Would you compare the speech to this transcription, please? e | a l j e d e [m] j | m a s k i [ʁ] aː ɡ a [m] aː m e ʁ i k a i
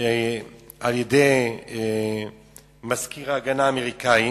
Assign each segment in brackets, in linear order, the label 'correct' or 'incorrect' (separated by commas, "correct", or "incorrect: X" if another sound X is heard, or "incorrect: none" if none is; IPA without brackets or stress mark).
incorrect: none, correct, incorrect: n